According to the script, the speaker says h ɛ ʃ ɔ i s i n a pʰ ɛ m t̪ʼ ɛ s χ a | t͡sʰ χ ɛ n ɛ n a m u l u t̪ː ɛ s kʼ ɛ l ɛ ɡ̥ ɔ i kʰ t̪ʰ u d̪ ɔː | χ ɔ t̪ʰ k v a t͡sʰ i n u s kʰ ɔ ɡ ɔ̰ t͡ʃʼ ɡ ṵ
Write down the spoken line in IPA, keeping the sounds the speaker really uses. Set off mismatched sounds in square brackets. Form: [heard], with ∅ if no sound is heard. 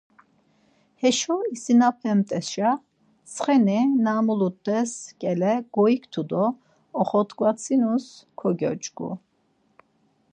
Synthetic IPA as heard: h ɛ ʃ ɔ i s i n a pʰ ɛ m t̪ʼ ɛ s [ʃ] a | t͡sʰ χ ɛ n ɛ n a m u l u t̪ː ɛ s kʼ ɛ l ɛ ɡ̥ ɔ i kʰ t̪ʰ u d̪ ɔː | χ ɔ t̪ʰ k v a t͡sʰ i n u s kʰ ɔ ɡ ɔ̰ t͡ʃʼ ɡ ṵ